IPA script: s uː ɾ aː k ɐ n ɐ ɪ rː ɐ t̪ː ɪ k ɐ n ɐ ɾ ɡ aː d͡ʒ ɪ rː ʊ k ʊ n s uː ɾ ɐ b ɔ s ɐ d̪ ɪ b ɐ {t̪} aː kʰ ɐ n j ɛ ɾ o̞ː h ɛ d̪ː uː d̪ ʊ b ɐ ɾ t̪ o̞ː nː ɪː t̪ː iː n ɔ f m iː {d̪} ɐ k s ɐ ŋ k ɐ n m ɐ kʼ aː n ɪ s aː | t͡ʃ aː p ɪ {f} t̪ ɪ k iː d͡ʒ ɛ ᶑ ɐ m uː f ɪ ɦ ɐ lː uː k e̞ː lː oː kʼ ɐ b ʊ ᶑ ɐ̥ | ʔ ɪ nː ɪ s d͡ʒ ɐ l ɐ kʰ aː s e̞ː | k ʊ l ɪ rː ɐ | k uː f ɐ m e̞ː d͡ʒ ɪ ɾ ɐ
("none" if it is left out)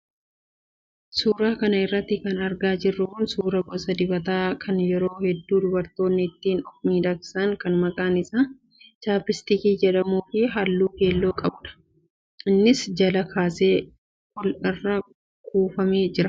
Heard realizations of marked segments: t̪, d̪, s

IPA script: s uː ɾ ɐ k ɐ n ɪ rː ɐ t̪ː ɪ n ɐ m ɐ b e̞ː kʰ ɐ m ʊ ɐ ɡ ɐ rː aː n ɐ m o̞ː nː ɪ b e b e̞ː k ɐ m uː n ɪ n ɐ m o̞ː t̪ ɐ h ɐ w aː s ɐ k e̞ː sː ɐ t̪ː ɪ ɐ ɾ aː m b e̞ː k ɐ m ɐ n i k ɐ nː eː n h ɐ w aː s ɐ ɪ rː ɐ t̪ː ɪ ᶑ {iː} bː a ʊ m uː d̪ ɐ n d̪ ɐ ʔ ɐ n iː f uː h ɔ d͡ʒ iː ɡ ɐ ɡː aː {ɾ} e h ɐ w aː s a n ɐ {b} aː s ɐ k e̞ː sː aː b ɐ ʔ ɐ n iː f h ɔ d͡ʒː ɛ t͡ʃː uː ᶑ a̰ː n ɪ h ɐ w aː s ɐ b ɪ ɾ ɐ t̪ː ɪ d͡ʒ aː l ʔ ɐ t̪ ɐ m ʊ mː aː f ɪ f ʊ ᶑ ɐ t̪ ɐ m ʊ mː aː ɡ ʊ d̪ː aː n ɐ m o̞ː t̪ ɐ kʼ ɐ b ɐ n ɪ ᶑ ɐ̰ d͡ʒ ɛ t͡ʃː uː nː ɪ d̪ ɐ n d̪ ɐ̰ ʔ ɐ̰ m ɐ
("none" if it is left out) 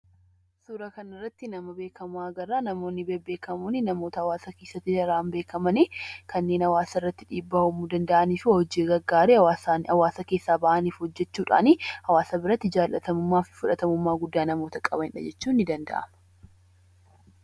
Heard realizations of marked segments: iː, ɾ, w

